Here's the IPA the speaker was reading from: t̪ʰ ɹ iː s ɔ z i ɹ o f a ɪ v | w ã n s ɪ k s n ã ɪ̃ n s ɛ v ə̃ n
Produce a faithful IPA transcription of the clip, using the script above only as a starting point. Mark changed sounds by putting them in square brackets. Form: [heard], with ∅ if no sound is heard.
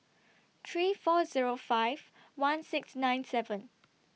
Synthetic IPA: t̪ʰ ɹ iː [f] ɔ z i ɹ o f a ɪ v | w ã n s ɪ k s n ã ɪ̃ n s ɛ v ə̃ n